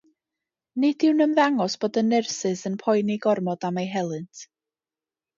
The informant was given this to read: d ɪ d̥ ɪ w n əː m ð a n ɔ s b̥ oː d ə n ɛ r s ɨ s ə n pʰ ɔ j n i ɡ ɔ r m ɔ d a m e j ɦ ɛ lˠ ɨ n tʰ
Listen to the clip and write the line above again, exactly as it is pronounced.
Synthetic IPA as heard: n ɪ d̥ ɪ w n ə m ð a ŋ ɔ s b̥ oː d ə n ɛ r s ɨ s ə n pʰ ɔ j n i ɡ ɔ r m ɔ d a m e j ɦ ɛ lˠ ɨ n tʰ